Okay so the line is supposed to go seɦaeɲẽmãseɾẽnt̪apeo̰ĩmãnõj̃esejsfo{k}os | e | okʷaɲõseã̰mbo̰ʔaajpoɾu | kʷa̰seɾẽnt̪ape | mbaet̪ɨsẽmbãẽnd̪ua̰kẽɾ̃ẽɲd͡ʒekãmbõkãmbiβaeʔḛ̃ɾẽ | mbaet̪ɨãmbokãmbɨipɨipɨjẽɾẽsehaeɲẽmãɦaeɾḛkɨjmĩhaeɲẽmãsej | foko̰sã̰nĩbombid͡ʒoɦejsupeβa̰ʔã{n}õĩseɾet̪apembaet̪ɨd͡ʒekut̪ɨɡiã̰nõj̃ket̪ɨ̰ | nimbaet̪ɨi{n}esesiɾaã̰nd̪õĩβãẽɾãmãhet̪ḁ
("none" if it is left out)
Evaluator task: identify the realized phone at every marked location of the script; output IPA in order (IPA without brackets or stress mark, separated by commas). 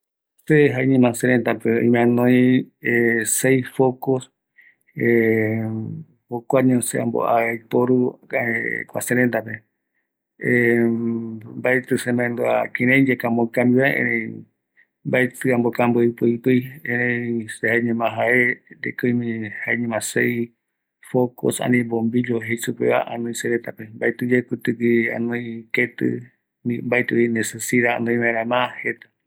k, n, n